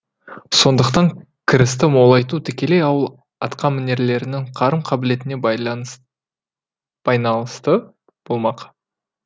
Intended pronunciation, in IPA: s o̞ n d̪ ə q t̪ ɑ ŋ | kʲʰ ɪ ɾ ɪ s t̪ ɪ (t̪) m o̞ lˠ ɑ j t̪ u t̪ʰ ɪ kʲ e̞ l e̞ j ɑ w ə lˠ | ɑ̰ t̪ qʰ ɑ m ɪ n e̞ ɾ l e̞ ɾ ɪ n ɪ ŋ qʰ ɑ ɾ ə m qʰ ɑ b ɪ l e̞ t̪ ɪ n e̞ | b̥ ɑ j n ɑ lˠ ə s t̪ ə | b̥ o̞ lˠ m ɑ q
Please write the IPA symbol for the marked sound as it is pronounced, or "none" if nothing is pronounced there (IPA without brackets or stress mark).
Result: none